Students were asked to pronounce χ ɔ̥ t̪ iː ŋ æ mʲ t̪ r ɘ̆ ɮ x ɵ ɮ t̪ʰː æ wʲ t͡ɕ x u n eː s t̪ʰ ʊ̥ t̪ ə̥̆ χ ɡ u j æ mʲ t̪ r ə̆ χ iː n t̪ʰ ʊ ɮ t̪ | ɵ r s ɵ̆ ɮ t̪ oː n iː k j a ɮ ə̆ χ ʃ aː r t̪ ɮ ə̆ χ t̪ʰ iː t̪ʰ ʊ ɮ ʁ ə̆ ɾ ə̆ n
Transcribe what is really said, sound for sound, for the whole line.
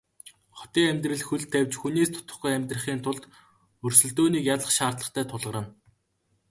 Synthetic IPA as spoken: χ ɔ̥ t̪ iː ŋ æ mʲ t̪ r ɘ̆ ɮ x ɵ ɮ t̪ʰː æ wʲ t͡ɕ x u n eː s t̪ʰ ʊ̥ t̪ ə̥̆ χ ɡ u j æ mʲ t̪ r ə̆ χ iː n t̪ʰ ʊ ɮ t̪ | ɵ r s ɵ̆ ɮ t̪ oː n iː k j a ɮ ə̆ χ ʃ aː r t̪ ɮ ə̆ χ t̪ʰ æː t̪ʰ ʊ ɮ ʁ ə̆ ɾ ə̆ n

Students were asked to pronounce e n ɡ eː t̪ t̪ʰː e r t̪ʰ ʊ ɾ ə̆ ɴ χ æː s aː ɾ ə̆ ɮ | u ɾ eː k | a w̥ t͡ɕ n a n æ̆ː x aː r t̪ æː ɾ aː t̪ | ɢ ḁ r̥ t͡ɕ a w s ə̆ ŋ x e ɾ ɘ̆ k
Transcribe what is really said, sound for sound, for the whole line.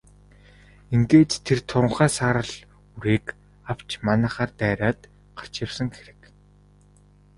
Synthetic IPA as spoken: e ŋ ɡ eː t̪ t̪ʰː e r t̪ʰ ʊ ɾ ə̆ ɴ χ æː s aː ɾ ə̆ ɮ | u ɾ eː k | a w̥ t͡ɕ m a n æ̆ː χ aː r t̪ æː ɾ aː t̪ | ɢ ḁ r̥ t͡ɕ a w s ə̆ ŋ x e ɾ ɘ̆ k

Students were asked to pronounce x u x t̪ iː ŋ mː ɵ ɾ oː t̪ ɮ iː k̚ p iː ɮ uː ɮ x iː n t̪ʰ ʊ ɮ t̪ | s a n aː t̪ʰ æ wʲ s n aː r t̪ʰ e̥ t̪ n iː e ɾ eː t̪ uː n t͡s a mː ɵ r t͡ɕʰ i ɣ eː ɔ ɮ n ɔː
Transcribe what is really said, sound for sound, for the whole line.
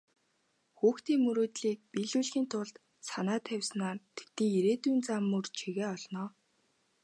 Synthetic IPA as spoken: x uː x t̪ iː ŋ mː ɵ ɾ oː t̪ ɮ iː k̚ p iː ɮ uː ɮ x iː n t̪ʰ ʊ ɮ t̪ | s a n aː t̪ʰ æ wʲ s n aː r t̪ʰ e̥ t̪ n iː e ɾ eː t̪ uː n t͡s a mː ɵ r t͡ɕʰ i ɣ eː ɔ ɮ n ɔː

